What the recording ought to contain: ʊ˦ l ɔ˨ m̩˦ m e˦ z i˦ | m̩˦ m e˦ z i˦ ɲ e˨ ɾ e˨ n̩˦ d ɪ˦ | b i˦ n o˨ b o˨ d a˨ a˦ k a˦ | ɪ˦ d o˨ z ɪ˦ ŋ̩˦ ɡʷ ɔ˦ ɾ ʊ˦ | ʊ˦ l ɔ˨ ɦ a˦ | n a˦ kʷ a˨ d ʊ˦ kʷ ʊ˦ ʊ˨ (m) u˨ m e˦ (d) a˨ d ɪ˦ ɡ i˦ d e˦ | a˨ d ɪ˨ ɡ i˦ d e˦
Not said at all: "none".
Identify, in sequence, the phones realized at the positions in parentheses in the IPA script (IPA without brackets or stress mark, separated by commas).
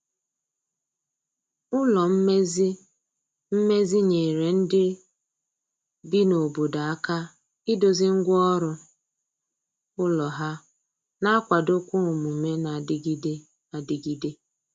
m, n